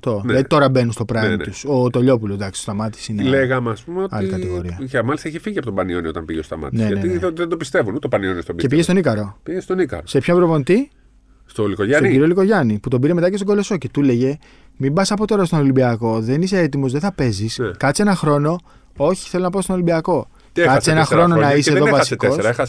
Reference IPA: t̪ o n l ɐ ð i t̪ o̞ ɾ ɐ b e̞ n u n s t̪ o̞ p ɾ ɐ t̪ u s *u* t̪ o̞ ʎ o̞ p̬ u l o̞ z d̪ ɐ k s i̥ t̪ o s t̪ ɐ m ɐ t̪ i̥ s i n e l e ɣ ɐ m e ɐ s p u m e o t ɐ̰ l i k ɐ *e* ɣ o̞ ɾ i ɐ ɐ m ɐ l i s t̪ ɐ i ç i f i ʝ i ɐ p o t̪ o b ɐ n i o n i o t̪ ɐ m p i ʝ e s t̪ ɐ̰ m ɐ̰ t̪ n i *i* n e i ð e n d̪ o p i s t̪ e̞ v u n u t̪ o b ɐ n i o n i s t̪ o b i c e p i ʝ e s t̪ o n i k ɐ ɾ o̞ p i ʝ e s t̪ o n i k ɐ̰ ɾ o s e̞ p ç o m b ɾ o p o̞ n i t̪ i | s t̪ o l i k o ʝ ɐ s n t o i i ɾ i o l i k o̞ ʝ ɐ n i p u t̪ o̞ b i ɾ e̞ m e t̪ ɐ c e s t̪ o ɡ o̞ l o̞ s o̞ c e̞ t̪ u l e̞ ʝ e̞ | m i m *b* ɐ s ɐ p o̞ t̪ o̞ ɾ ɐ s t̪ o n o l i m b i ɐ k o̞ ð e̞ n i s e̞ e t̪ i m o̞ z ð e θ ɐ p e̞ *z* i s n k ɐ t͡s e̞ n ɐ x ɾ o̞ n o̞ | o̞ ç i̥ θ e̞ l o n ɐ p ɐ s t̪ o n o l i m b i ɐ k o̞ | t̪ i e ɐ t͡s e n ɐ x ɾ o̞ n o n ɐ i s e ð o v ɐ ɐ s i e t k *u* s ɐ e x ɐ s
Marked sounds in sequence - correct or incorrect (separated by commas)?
incorrect, incorrect, incorrect, correct, correct, incorrect